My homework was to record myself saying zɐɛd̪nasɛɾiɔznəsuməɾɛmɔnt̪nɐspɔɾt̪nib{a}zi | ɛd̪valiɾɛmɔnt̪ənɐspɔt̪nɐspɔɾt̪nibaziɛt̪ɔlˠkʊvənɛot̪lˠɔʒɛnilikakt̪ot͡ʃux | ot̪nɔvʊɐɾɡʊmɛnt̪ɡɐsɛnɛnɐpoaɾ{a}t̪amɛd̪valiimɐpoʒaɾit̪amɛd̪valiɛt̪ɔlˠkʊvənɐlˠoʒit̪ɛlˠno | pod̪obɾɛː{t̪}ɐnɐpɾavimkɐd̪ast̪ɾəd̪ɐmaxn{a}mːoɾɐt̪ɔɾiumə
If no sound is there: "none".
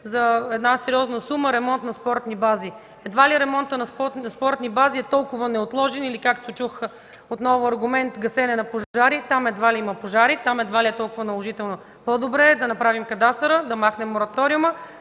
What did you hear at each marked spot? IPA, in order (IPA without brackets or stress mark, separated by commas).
a, i, d̪, ɛ